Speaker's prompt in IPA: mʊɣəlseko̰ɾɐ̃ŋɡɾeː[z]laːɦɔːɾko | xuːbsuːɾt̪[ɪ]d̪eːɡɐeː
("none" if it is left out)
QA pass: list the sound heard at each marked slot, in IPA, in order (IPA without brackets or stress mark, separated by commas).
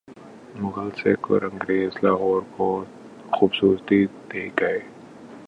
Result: z, i